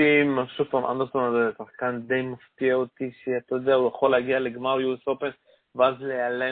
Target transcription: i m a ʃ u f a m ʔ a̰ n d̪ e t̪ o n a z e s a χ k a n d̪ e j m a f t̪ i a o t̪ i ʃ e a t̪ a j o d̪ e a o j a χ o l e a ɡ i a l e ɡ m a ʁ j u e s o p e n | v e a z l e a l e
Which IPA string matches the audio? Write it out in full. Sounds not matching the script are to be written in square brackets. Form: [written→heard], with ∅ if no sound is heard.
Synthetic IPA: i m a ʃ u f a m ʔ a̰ n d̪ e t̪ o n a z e s a χ k a n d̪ e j m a f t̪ i a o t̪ i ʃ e a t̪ a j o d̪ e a [o→u] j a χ o l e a ɡ i a l e ɡ m a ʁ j u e s o p e n | v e a z l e a l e